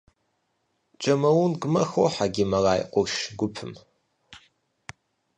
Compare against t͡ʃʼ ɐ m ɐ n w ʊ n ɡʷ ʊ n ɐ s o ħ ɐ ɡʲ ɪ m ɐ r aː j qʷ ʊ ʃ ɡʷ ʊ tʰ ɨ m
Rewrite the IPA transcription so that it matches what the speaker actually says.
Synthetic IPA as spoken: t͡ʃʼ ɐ m ɐ w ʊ n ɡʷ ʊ m ɐ x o ħ a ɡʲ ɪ m ɐ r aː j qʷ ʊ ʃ ɡʷ ʊ pʰ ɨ m

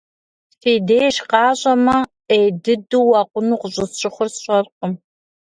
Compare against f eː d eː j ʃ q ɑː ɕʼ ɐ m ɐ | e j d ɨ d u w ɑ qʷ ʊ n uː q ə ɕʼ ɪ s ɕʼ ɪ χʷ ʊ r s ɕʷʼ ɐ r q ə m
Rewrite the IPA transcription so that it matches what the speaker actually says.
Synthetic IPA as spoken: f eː d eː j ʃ q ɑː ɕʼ ɐ m ɐ | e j d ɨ d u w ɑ qʷ ʊ n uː q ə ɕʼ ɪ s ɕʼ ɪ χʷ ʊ r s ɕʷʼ ɐ r q ə m

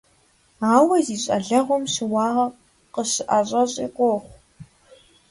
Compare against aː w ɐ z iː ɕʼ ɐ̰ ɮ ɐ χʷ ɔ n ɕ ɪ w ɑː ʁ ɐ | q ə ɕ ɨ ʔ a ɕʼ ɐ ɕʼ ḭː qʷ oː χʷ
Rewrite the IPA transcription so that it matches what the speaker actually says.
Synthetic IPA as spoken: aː w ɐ z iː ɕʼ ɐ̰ ɮ ɐ ʁʷ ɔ m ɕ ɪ w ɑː ʁ ɐ | q ə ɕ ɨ ʔ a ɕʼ ɐ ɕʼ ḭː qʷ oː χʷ

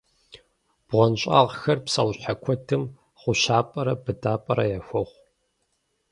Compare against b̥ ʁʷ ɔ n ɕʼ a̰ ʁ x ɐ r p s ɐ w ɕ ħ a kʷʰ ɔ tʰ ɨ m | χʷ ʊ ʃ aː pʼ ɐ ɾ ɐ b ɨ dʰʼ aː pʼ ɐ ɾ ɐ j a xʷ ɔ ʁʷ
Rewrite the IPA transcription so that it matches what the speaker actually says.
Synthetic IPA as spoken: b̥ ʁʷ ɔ n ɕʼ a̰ ʁ x ɐ r p s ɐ w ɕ ħ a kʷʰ ɔ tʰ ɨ m | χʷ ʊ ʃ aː pʼ ɐ ɾ ɐ b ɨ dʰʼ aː pʼ ɐ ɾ ɐ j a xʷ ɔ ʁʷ

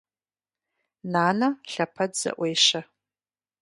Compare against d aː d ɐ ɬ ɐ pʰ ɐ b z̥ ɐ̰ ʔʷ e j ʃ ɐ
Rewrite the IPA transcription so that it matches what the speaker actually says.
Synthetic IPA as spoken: n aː n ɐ ɬ ɐ pʰ ɐ d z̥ ɐ̰ ʔʷ e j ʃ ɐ

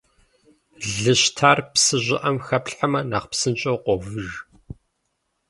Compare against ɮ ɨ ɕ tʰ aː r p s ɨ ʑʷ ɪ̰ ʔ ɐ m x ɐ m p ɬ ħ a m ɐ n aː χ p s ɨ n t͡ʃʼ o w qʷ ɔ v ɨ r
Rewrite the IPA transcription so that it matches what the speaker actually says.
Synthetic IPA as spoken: ɮ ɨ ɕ tʰ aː r p s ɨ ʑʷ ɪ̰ ʔ ɐ m x ɐ p ɬ ħ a m ɐ n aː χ p s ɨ n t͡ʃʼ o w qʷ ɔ v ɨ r

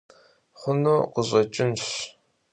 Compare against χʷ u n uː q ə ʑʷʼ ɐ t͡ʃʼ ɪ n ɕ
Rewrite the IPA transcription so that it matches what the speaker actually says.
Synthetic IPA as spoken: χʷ ʊ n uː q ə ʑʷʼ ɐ t͡ʃʼ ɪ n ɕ

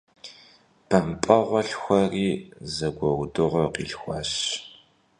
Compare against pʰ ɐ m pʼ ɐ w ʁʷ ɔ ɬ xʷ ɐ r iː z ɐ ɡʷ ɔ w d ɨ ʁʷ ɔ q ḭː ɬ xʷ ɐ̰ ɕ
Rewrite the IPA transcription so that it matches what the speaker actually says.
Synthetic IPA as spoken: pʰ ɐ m pʼ ɐ ʁʷ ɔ ɬ xʷ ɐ r iː z ɐ ɡʷ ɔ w d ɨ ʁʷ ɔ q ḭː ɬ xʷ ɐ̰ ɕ

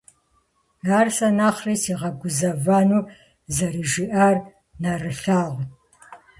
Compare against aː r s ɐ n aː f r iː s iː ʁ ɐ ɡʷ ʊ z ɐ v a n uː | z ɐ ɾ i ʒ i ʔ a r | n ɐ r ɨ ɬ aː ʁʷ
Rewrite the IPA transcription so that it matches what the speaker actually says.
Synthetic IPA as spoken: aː r s ɐ n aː χ r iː s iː ʁ ɐ ɡʷ ʊ z ɐ v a n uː | z ɐ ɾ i ʒ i ʔ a r | n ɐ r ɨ ɬ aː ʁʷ

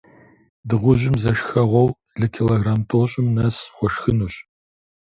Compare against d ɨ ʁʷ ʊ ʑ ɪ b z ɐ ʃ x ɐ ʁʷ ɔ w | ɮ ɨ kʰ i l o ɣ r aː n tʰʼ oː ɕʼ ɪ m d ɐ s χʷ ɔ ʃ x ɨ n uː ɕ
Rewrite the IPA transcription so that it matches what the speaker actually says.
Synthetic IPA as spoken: d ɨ ʁʷ ʊ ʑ ɪ m z ɐ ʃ x ɐ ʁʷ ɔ w | ɮ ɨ kʰ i l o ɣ r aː m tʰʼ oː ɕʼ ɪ m n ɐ s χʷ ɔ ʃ x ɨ n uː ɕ

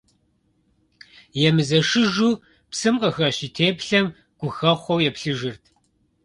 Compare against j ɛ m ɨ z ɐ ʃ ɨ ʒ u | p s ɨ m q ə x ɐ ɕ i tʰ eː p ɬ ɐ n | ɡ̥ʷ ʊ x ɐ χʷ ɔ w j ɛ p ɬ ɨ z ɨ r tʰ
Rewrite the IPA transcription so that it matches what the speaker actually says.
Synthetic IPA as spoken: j ɛ m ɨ z ɐ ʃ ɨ ʒ u | p s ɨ m q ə x ɐ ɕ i tʰ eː p ɬ ɐ m | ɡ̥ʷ ʊ x ɐ χʷ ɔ w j ɛ p ɬ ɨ ʒ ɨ r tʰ

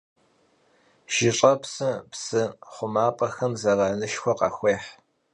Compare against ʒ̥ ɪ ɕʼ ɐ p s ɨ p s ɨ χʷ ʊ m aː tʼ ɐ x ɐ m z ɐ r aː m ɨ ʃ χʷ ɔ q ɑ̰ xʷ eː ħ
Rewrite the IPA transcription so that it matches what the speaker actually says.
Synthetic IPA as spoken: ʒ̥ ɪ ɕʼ ɐ p s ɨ p s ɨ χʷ ʊ m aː pʼ ɐ x ɐ m z ɐ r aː n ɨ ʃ xʷ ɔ q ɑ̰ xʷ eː ħ

